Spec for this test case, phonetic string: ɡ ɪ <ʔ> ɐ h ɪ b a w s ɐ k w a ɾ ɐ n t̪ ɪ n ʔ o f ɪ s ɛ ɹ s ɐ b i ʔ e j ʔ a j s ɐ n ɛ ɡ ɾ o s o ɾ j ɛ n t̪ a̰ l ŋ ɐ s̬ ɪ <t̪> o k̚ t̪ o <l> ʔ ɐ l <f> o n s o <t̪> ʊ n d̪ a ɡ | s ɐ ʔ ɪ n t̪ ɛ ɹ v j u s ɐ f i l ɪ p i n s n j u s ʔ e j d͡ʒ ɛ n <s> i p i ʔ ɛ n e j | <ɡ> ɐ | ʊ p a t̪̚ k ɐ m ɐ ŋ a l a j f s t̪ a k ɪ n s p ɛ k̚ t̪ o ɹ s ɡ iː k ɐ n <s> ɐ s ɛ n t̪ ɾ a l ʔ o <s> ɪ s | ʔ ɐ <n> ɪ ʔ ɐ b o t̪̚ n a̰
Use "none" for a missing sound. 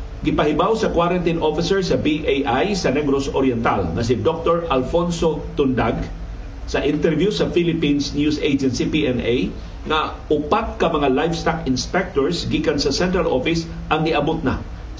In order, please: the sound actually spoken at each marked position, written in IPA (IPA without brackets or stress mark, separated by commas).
p, d̪, ɹ, f, t̪, s, ŋ, s, f, ŋ